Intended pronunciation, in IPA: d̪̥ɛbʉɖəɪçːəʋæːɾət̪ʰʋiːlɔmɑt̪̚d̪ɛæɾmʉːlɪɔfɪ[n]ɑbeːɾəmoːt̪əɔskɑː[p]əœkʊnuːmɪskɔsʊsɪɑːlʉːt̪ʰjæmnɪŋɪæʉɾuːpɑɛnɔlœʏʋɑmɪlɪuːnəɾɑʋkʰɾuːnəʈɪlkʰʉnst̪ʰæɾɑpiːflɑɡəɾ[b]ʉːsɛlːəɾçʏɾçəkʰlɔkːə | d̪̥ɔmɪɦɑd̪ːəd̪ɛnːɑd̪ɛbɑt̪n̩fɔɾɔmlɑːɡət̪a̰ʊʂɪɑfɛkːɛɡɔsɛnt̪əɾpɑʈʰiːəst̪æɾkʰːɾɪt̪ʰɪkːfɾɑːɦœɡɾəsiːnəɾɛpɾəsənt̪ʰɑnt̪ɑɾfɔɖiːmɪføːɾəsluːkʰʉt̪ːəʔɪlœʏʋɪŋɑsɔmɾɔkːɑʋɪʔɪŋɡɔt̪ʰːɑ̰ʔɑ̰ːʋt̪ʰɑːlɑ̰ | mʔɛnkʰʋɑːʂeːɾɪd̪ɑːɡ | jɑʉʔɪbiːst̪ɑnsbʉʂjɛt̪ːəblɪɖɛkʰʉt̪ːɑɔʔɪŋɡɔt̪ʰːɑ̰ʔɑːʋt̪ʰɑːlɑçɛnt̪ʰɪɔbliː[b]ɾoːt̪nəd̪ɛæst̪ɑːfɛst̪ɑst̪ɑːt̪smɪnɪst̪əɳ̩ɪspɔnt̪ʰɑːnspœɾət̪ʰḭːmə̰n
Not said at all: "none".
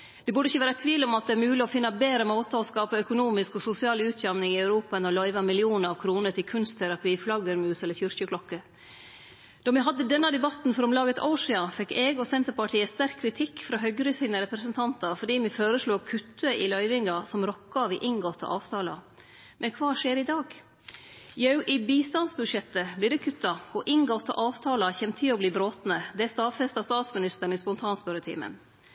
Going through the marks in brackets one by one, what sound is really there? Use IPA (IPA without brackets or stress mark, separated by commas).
nː, p, m, b